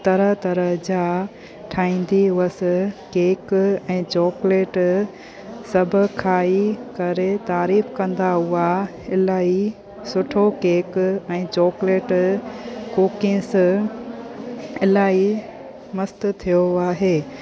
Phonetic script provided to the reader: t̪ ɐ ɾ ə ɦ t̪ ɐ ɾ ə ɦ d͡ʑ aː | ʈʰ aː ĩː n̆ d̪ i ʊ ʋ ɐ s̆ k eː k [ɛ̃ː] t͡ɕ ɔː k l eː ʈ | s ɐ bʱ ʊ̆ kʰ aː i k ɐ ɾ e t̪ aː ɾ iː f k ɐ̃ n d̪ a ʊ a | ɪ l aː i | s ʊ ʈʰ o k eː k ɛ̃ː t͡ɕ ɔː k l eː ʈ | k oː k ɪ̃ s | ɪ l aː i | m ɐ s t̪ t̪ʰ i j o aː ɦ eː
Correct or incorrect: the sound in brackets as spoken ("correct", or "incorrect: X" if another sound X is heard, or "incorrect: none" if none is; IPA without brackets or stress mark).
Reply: correct